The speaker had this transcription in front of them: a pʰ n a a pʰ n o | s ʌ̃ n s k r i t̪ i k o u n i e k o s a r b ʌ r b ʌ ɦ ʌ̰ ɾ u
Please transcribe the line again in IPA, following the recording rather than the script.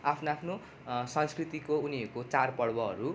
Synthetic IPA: a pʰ n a a pʰ n o | s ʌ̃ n s k r i t̪ i k o u n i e k o t͡s a r p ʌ ɽ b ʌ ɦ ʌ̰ ɾ u